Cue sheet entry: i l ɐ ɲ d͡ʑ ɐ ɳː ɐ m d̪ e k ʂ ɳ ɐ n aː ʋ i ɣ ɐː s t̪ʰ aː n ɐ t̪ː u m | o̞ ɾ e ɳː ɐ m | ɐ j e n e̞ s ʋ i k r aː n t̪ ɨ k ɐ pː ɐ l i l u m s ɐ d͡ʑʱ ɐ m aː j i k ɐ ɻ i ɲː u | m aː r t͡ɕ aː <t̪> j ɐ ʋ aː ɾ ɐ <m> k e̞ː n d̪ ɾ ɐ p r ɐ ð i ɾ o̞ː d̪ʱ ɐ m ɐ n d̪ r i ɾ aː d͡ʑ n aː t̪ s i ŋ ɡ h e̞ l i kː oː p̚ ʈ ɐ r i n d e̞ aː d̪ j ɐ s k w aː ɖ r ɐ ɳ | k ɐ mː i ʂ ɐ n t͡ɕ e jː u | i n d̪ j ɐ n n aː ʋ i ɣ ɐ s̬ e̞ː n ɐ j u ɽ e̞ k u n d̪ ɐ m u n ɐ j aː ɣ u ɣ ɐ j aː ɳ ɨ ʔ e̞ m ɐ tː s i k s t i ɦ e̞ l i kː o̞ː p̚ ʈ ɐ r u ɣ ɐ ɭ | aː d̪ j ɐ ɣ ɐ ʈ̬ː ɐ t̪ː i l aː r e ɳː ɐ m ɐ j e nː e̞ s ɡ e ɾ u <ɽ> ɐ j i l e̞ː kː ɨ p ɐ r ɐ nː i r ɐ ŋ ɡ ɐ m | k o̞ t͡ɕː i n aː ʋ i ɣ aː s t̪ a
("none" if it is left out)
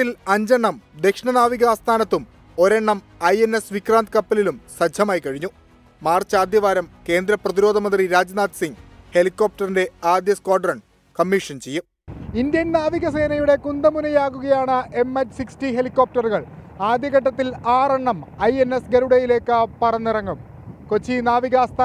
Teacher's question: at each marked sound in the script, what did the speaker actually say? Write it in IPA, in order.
d̪, m, ɽ

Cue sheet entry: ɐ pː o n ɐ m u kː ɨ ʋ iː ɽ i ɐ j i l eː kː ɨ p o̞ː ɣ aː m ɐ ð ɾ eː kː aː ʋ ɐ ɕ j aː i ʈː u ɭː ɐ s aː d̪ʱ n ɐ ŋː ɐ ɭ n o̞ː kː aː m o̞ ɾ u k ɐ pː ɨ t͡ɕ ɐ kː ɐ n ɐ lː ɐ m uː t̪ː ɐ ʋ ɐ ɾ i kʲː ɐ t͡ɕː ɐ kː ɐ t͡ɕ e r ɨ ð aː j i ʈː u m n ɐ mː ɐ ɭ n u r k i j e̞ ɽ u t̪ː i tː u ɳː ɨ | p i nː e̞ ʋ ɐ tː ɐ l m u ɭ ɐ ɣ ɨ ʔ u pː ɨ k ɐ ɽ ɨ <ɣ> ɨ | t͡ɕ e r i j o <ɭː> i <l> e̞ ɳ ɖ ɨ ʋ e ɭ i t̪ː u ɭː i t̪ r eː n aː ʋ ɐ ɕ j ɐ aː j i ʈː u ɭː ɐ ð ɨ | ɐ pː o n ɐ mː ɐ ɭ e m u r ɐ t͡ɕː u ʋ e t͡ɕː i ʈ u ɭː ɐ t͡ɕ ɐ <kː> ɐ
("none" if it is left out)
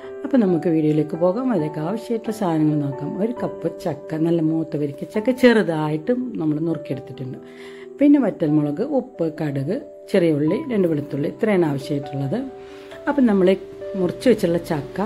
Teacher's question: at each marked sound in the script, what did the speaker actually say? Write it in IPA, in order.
ɣ, ɭː, ɾ, kː

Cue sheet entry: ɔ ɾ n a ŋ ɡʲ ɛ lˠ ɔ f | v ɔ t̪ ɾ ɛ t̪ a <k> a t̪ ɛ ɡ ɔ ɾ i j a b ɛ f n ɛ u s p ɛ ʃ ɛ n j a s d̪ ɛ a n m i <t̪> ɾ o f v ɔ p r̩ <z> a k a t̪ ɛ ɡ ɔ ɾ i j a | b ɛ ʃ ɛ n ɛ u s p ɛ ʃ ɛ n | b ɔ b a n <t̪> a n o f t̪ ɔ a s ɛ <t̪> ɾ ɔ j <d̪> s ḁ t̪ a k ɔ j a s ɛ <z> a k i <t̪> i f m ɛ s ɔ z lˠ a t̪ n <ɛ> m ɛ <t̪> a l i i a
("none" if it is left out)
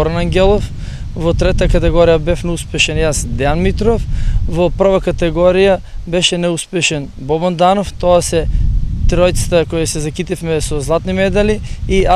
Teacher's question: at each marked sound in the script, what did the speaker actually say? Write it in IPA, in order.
k, t̪, v, d̪, t̪, t̪, z, t̪, i, d̪

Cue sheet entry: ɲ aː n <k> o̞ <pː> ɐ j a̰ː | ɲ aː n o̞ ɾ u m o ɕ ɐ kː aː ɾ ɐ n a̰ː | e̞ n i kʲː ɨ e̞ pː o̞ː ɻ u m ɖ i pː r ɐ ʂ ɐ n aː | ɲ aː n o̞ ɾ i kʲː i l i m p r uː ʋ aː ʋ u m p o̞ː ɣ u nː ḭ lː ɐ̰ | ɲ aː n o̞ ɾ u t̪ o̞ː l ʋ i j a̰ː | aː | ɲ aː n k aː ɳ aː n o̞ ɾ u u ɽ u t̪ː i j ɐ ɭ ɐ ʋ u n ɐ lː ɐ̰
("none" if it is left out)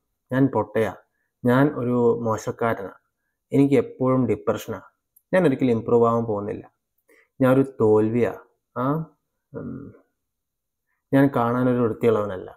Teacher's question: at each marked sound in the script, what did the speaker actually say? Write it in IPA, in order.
p, ʈː

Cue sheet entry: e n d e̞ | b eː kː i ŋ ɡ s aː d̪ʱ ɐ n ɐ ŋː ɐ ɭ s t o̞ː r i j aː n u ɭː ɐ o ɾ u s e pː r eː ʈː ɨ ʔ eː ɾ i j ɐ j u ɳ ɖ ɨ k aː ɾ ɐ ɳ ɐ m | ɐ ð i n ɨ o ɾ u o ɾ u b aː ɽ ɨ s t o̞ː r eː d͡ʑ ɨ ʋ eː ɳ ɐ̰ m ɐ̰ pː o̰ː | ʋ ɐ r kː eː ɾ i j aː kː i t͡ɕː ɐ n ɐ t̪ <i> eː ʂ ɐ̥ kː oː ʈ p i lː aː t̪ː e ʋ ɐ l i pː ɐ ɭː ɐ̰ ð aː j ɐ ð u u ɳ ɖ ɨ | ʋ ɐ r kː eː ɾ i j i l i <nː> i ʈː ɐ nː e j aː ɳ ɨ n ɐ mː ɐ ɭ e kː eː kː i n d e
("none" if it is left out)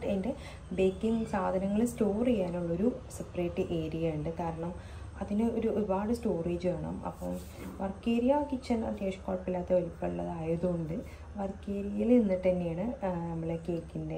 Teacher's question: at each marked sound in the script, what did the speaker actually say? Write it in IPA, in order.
j, nː

